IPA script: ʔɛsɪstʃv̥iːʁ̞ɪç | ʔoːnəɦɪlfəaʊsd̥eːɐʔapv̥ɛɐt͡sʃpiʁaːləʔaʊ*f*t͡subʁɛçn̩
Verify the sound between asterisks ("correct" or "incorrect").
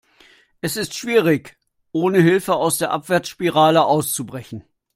incorrect